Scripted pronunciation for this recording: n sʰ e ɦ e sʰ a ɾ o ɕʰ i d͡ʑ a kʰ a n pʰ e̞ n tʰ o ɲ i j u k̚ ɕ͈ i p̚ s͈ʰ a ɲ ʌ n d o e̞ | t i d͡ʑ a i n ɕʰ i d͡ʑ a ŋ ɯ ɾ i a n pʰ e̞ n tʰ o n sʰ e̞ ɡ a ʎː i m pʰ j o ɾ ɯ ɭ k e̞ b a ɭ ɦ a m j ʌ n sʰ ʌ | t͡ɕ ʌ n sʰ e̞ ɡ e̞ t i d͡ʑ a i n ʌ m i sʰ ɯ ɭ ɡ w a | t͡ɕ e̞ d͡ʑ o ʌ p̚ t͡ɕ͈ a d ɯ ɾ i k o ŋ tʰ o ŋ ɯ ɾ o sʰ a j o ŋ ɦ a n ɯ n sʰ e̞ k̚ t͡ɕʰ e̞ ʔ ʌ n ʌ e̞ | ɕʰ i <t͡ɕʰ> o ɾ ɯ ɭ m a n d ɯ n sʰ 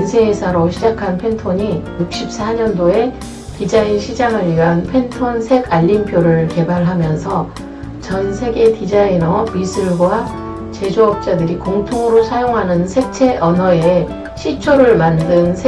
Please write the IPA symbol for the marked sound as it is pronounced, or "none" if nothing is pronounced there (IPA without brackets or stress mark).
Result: t͡ɕʰ